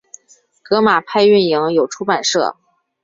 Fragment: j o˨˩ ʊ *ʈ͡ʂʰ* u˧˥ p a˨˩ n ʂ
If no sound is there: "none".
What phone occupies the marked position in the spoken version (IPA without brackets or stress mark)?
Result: ʈ͡ʂʰ